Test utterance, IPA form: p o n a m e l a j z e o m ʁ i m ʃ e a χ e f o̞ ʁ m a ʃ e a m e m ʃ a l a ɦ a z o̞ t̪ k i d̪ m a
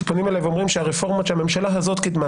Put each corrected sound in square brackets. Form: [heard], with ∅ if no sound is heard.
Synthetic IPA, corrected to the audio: p o n [i] m e l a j [v] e o m ʁ i m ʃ e a [ʁ] e f o̞ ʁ m a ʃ e a m e m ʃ a l a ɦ a z o̞ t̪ k i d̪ m a